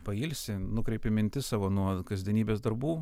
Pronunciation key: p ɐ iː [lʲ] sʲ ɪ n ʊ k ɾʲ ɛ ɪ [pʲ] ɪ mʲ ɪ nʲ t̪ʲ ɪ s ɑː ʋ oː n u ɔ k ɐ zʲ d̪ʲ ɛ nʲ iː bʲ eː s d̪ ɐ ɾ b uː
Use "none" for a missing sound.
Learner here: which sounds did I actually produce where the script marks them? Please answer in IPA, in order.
lʲ, pʲ

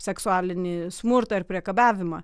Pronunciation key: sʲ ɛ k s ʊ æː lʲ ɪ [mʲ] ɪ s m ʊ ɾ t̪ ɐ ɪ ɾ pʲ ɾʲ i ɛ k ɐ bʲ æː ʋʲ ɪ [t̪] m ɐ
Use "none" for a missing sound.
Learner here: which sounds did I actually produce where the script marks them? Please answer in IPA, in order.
nʲ, none

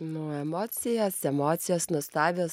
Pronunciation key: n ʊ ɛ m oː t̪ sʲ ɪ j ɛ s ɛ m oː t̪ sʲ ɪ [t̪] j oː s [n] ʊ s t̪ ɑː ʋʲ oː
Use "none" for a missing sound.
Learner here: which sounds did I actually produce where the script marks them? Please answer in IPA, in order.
none, n

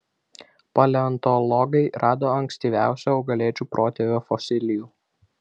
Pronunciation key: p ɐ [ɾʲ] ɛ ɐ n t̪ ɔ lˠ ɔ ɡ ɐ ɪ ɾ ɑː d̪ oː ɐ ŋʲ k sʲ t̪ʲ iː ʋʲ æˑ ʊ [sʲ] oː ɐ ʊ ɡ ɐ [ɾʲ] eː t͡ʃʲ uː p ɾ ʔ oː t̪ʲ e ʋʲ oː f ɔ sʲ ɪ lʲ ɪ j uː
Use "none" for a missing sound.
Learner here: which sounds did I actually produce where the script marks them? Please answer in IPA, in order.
lʲ, sʲ, lʲ

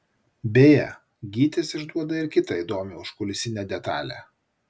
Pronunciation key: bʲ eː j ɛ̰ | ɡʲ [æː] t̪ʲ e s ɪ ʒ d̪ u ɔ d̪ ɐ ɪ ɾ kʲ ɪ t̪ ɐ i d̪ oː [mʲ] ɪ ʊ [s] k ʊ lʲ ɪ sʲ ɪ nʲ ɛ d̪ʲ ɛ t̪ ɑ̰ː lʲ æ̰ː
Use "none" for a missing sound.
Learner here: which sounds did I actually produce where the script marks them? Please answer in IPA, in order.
iː, mʲ, ʃ

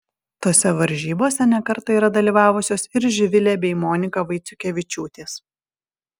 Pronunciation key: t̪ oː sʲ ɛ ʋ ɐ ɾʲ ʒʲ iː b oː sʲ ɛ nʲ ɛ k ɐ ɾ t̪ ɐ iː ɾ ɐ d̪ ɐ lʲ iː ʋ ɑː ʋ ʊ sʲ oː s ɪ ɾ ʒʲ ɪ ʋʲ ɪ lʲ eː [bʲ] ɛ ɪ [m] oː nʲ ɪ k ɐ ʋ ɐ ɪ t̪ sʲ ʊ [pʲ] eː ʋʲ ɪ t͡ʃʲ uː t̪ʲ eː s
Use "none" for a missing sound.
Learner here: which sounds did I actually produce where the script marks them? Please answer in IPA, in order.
bʲ, m, kʲ

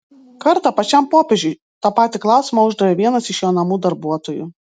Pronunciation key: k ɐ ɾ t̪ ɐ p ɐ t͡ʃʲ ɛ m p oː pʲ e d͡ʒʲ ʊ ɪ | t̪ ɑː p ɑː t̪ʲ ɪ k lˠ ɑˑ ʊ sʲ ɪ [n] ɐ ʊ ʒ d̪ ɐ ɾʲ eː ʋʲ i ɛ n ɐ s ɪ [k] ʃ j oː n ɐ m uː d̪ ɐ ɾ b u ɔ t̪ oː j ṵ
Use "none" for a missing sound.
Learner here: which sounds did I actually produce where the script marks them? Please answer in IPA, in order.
m, none

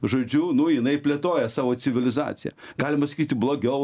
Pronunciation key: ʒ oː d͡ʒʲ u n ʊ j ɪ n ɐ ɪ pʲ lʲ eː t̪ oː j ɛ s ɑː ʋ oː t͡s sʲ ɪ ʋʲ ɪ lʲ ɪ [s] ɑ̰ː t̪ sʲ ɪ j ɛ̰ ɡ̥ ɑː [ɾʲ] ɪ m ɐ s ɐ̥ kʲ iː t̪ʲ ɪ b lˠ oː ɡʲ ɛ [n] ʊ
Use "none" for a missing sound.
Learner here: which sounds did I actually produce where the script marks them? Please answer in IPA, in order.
z, lʲ, none

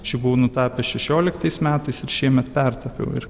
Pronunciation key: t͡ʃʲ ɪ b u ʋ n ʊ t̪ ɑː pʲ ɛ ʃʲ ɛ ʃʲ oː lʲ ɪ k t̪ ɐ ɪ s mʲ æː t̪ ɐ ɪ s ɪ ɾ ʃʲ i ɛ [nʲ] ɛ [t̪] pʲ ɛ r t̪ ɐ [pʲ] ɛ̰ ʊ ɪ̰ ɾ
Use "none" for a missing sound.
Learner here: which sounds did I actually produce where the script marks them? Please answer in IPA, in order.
mʲ, t̪, pʲ

